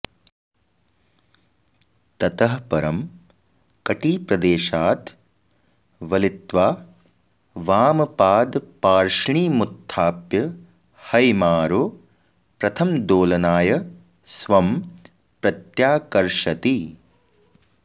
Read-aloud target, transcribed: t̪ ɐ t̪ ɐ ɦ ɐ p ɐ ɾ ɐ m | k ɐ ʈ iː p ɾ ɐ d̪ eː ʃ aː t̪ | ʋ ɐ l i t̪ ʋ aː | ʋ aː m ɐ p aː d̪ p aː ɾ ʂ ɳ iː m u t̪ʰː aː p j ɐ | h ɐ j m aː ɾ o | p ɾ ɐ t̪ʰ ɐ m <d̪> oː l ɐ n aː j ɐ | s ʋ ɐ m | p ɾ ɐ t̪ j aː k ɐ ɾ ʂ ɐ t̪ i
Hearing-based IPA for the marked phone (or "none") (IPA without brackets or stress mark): d̪